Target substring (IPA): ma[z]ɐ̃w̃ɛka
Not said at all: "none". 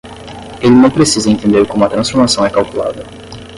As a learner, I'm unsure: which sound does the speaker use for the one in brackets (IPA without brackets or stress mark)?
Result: s